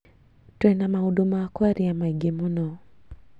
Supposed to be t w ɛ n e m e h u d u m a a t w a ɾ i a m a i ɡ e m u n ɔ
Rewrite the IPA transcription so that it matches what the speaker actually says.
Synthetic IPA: t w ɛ n a m a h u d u m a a k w a ɾ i a m a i ɡ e m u n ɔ

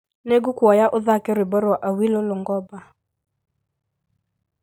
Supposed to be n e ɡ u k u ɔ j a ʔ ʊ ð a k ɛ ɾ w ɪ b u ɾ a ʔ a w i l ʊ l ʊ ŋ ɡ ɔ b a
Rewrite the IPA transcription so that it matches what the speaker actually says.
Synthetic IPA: n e ɡ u k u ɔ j a ʔ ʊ ð a k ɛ ɾ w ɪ b ɔ ɾ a ʔ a w i l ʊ l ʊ ŋ ɡ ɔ b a

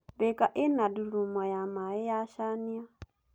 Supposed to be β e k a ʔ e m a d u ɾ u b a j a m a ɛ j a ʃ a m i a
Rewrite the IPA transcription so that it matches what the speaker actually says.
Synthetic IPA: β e k a ʔ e n a d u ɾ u m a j a m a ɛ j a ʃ a n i a

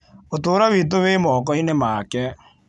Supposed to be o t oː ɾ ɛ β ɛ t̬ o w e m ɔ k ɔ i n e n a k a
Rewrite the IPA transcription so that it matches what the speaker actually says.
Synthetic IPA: o t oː ɾ a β i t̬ o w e m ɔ k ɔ i n e m a k ɛ

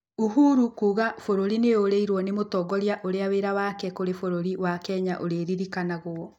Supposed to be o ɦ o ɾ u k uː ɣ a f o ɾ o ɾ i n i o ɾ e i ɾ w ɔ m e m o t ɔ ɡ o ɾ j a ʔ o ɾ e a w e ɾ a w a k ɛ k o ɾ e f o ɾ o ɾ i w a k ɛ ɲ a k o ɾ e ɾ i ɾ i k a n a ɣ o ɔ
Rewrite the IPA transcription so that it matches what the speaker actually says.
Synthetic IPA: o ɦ u ɾ u k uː ɣ a f o ɾ o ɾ i n e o ɾ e i ɾ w ɔ n e m o t ɔ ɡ ɔ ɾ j a ʔ o ɾ e a w e ɾ a w a k ɛ k o ɾ e f o ɾ o ɾ i w a k ɛ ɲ a ʔ o ɾ e ɾ i ɾ i k a n a ɣ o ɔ

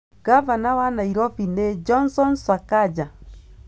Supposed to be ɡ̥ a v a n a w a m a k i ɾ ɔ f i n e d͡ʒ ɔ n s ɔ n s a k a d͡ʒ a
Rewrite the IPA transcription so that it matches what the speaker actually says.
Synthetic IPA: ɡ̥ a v a n a w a n a i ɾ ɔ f i n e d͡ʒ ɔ n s ɔ n s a k a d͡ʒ a

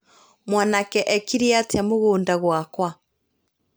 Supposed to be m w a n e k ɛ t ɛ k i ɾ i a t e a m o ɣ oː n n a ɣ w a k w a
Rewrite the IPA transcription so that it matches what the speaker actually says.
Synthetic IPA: m w a n a k ɛ ʔ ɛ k i ɾ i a t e a m o ɣ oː n d a ɣ w a k w a

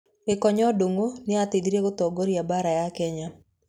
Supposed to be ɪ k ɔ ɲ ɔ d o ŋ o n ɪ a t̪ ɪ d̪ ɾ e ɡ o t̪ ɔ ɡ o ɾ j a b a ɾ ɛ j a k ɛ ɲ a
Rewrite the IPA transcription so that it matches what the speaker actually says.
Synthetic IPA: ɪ k ɔ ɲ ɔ d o ŋ o n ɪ a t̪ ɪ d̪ ɾ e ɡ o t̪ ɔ ɡ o ɾ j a b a ɾ a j a k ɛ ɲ a

